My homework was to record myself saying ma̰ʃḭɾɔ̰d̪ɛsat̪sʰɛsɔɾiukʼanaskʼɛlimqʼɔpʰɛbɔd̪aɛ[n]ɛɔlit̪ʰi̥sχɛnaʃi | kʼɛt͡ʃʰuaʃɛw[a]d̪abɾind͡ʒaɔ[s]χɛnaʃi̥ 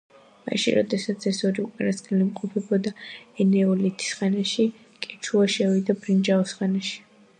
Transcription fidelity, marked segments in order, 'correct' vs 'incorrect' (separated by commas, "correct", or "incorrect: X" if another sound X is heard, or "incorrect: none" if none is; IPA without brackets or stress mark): correct, incorrect: i, correct